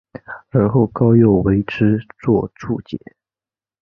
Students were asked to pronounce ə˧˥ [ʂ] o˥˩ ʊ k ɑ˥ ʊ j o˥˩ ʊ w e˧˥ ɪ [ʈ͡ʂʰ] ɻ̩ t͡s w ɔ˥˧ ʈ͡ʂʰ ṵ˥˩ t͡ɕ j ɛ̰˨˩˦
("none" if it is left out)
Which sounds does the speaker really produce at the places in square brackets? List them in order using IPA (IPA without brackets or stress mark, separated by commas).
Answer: x, ʈ͡ʂʰ